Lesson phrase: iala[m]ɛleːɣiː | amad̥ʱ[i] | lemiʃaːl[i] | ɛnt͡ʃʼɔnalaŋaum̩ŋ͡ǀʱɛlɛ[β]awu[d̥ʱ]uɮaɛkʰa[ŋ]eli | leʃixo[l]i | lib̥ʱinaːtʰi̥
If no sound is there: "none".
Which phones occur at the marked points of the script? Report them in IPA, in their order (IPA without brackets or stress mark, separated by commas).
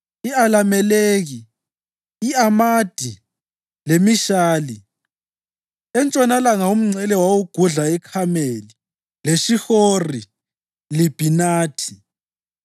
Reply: m, i, i, w, ɡ̥ʱ, m, r